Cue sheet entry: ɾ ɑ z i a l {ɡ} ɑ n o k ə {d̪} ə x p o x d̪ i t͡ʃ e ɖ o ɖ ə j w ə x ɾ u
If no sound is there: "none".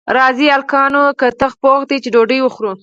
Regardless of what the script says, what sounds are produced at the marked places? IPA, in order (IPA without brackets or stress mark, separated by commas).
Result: k, t̪